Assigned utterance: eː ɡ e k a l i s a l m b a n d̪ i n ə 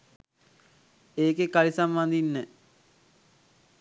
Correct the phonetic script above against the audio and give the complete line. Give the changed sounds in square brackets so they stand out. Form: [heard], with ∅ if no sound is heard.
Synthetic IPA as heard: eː [k] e k a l i s a [∅] m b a n d̪ i [nː] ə